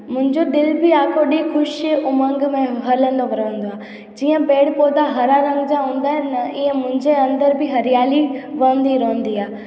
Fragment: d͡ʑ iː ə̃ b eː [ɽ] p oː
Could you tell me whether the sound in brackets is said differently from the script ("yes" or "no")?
no